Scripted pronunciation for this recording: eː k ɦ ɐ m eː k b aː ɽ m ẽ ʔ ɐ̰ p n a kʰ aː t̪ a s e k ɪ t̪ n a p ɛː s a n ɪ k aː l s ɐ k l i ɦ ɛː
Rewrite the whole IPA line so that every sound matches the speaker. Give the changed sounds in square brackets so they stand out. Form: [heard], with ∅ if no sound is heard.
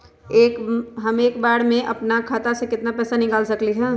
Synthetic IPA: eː k ɦ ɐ m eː k b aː ɽ m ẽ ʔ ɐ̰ p n a kʰ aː t̪ a s e k ɪ t̪ n a p ɛː s a n ɪ k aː l s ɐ k l i ɦ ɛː